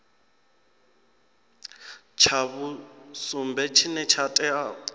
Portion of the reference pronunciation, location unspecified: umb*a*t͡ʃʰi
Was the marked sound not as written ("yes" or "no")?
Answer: yes